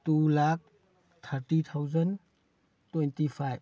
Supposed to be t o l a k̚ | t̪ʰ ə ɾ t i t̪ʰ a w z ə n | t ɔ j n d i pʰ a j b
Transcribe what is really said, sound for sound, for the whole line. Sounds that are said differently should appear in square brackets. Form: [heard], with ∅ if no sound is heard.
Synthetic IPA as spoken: t [u] l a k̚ | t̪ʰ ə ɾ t i t̪ʰ a w z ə n | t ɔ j n [t] i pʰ a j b